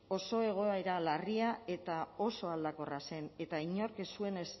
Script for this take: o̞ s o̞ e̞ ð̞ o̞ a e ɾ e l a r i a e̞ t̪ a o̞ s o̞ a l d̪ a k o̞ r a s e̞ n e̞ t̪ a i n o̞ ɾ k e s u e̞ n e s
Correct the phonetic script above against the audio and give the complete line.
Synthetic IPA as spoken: o̞ s o̞ e̞ ɣ̞ o̞ a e ɾ a l a r i a e̞ t̪ a o̞ s o̞ a l d̪ a k o̞ r a s e̞ n e̞ t̪ a i ɲ o̞ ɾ k e s u e̞ n e s